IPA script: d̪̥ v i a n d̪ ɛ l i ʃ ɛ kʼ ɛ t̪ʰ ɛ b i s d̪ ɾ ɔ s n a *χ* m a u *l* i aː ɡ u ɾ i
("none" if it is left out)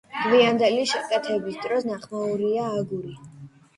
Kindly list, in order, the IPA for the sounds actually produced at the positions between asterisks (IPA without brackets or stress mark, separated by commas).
χ, ɾ